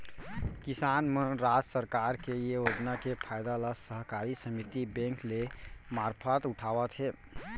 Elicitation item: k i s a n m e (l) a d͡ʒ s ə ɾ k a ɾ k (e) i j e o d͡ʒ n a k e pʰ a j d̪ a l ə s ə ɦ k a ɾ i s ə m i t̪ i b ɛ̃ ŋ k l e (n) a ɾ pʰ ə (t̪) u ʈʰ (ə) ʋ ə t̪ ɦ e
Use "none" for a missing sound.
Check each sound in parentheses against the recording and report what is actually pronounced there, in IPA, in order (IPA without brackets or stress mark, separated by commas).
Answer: ɾ, e, m, t̪, a